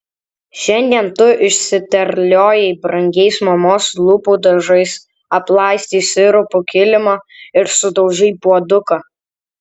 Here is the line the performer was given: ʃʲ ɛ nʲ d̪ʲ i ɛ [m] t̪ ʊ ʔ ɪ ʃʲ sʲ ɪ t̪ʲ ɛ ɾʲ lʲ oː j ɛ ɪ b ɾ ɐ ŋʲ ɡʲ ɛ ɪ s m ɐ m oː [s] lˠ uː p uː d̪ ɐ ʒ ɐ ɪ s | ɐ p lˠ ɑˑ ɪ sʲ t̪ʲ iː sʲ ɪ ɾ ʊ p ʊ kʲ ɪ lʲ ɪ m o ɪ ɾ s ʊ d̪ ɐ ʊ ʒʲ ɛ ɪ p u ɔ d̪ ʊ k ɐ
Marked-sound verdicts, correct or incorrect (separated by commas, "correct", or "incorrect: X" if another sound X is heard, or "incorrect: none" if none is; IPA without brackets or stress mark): incorrect: n, correct